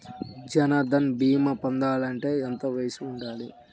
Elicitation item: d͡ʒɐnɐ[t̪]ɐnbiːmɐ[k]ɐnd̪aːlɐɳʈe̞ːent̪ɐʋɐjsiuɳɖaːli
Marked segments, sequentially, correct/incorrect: incorrect, incorrect

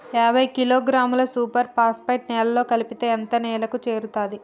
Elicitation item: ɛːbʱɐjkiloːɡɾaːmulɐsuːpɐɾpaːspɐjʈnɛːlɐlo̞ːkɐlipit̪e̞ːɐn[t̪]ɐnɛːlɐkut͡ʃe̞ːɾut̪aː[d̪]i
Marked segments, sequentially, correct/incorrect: correct, correct

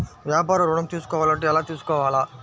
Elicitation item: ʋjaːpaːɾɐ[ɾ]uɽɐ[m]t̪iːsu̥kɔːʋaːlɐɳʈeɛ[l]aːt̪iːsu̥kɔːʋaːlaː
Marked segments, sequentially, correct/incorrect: correct, correct, correct

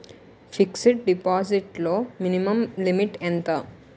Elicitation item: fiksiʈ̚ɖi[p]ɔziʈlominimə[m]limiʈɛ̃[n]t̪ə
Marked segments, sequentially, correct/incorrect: correct, correct, correct

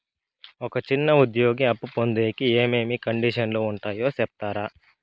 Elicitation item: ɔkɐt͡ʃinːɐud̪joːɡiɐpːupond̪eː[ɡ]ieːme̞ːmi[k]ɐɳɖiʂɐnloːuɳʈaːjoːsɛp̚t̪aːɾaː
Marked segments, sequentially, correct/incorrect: incorrect, correct

